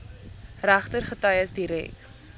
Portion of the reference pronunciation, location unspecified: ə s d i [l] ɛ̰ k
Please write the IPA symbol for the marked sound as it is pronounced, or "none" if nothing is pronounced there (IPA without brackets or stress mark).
ɾ